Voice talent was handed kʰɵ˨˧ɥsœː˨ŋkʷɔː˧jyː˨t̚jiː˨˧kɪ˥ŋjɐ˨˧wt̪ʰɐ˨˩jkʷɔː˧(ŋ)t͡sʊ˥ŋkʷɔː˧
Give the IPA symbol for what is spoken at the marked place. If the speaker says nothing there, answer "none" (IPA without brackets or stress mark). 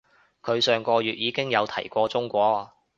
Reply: none